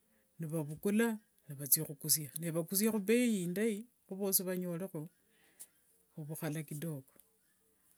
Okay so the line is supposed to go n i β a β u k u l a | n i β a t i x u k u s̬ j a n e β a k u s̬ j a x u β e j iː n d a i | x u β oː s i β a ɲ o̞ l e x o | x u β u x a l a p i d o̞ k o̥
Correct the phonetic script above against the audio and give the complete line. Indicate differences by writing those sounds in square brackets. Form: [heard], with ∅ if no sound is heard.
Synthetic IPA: n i β a β u k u l a | n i β a [t͡s] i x u k u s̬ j a n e β a k u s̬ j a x u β e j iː n d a i | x u β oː s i β a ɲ o̞ l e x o | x u β u x a l a [k] i d o̞ k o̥